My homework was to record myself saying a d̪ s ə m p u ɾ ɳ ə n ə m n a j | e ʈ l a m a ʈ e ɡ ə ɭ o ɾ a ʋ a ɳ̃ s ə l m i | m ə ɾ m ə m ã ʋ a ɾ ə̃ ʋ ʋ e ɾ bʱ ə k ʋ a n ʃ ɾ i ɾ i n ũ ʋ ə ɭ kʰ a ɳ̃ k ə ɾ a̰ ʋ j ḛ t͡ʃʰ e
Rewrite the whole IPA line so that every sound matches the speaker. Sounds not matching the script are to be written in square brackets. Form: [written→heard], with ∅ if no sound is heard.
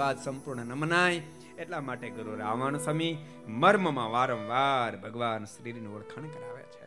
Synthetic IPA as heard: a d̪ s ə m p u ɾ ɳ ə n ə m n a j | e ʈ l a m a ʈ e ɡ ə [ɭ→ɾ] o ɾ a ʋ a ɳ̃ s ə [l→∅] m i | m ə ɾ m ə m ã ʋ a ɾ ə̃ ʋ ʋ [e→a] ɾ bʱ ə [k→ɡ] ʋ a n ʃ ɾ i ɾ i n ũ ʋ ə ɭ kʰ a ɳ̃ k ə ɾ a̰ ʋ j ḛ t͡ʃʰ e